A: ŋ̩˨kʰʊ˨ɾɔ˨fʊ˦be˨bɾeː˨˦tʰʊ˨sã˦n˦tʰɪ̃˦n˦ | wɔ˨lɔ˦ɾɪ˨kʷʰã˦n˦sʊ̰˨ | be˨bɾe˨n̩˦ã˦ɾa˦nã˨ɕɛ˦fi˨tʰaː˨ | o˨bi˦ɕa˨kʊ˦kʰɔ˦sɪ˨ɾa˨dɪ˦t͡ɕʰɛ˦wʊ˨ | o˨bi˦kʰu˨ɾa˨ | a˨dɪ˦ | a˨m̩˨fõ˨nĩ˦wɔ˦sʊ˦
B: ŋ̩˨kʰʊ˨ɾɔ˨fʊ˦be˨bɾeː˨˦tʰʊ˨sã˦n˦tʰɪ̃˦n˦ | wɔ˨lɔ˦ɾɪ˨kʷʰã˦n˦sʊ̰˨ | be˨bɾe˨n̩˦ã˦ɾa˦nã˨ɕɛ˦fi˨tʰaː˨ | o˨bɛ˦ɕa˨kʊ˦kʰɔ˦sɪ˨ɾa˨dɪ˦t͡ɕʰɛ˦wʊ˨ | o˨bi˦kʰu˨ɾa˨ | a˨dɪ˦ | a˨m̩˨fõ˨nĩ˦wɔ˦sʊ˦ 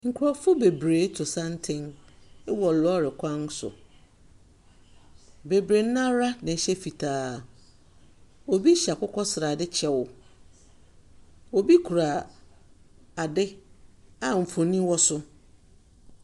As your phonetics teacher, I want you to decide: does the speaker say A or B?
A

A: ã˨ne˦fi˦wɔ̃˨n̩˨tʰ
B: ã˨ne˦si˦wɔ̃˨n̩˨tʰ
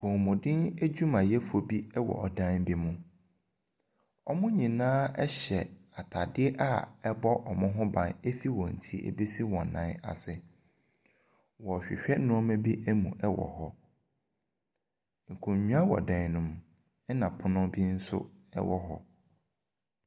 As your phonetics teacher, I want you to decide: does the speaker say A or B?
A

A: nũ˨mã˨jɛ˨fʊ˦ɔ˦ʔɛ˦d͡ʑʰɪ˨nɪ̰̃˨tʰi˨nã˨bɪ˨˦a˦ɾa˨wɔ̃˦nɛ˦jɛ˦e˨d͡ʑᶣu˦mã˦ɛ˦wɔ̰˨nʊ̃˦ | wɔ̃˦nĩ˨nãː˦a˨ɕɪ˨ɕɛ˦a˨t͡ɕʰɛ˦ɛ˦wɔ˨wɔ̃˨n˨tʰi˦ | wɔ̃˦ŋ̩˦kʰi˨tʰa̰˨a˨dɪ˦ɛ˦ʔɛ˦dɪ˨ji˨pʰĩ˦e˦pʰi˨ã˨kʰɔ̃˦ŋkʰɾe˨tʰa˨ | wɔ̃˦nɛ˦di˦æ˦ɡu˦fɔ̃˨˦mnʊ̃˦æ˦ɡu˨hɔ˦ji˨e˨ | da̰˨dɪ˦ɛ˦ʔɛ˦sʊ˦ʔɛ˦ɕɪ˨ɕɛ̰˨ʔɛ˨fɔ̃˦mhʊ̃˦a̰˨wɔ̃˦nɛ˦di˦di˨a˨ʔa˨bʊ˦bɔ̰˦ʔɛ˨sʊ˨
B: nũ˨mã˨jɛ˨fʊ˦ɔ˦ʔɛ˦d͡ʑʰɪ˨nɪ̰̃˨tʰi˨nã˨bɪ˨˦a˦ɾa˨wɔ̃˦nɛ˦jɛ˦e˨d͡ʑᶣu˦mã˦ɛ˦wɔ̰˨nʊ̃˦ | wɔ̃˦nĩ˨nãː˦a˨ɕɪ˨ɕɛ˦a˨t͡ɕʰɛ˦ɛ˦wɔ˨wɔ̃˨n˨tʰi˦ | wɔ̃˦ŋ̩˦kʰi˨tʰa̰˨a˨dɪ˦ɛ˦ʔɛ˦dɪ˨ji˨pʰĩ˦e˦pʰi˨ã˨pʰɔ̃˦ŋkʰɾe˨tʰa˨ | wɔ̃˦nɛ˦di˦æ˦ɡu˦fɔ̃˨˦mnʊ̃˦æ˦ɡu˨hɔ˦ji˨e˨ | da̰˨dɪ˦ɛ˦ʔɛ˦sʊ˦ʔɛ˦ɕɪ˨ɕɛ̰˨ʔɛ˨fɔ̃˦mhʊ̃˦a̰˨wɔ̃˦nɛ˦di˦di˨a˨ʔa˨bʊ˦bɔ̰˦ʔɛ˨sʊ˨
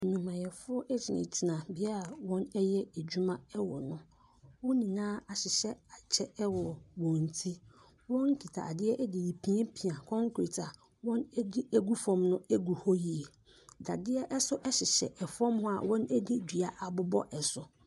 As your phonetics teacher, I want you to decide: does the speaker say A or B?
A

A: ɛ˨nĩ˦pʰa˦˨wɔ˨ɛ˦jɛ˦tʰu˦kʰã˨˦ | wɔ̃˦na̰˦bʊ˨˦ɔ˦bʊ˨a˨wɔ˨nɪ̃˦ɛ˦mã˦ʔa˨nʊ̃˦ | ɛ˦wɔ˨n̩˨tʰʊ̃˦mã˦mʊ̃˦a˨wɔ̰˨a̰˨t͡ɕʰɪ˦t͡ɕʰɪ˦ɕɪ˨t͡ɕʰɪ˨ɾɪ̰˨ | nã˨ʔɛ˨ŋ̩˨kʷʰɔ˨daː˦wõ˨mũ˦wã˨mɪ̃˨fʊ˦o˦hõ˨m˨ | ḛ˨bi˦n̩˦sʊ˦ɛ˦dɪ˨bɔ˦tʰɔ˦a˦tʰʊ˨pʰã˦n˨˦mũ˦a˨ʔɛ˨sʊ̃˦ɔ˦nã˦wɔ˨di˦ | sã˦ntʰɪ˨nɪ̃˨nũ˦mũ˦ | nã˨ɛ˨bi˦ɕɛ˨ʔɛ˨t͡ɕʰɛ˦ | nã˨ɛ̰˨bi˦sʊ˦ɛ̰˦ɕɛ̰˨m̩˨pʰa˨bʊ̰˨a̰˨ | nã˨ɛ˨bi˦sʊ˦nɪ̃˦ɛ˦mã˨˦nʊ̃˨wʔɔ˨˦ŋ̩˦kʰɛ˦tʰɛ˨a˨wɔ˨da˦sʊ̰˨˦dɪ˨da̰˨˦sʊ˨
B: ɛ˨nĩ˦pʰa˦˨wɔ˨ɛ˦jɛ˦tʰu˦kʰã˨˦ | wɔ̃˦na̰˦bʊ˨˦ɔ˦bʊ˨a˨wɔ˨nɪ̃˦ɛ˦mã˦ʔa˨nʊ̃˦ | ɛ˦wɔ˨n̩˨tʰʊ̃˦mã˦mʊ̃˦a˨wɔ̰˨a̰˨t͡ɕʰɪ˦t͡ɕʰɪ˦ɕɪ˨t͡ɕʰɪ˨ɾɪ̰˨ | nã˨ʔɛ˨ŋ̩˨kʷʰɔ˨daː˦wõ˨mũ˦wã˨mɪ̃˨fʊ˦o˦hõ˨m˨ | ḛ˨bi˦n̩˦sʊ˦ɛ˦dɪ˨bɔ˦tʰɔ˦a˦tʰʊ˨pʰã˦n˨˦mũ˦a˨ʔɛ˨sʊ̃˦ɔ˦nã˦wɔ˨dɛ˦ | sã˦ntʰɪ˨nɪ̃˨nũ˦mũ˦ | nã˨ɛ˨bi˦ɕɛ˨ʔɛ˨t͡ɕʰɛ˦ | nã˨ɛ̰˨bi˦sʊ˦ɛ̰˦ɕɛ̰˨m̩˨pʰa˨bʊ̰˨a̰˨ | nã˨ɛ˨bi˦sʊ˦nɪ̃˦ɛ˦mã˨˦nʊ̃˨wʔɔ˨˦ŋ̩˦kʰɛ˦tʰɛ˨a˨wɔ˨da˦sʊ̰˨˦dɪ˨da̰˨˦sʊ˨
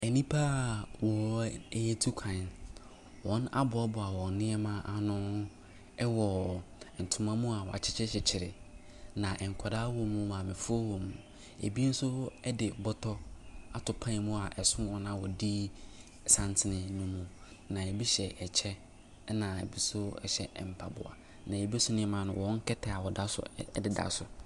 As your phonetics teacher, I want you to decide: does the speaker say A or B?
A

